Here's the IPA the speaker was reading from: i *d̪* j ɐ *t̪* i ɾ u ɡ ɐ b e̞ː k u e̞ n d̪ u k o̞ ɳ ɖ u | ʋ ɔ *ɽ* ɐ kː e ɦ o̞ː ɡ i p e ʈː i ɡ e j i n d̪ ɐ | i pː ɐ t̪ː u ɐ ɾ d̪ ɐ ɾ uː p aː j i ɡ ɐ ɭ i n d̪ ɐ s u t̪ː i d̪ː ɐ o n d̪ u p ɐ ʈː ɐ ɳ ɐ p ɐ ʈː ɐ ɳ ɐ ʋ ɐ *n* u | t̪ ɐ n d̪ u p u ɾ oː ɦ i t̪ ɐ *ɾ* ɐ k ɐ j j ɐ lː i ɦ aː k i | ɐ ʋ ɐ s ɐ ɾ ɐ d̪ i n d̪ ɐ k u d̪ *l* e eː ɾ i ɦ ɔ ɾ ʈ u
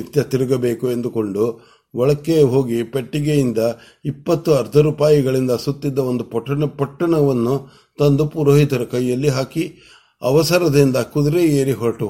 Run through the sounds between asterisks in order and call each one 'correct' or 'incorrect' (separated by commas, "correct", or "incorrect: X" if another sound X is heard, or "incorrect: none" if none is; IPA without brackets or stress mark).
incorrect: t̪, correct, incorrect: ɭ, incorrect: nː, correct, incorrect: ɾ